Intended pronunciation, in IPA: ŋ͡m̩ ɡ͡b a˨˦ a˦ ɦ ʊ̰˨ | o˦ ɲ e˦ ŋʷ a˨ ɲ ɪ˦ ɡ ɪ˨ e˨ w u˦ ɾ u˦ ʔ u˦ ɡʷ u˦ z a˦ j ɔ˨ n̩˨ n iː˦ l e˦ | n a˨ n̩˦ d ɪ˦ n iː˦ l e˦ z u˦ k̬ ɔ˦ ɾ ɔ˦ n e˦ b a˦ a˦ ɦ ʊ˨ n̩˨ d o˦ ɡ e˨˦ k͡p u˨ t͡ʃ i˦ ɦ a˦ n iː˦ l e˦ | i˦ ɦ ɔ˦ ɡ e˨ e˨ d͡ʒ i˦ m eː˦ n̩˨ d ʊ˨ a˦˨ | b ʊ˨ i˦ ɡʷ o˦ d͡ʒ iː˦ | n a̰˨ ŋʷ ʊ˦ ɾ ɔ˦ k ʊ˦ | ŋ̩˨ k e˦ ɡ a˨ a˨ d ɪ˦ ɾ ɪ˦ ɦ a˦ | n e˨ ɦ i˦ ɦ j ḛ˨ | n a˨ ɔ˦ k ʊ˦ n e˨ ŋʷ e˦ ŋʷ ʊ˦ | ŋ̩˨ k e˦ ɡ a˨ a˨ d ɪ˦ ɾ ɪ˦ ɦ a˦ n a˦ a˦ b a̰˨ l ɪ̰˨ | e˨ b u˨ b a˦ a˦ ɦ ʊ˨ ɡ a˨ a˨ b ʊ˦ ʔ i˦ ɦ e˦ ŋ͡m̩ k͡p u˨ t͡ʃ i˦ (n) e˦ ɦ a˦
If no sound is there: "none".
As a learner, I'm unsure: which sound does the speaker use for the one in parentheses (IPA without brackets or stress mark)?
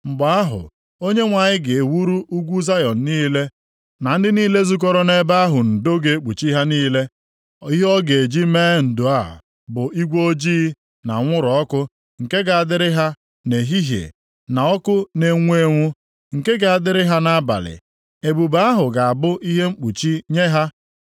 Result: ɲ